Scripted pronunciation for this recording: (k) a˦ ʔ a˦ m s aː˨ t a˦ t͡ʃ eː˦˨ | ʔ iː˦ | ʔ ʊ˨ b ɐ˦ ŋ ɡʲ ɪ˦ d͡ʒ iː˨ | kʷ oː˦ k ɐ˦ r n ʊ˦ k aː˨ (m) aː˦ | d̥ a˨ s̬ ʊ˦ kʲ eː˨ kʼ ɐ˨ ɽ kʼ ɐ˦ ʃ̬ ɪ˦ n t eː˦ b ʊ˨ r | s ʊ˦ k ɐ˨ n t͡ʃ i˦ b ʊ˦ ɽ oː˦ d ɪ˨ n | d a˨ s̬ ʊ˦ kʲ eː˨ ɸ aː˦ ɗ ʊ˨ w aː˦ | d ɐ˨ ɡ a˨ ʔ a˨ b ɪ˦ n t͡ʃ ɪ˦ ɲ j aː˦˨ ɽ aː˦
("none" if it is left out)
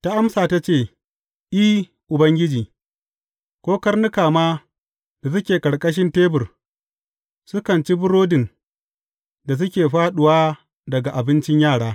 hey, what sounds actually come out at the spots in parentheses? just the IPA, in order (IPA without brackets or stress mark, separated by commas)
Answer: t, m